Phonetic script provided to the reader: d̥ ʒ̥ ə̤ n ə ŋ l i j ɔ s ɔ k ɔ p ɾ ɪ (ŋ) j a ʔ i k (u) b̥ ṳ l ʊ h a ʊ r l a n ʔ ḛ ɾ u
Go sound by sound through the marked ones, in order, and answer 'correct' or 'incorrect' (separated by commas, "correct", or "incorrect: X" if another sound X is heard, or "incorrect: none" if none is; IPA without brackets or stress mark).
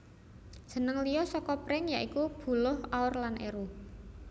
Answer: correct, correct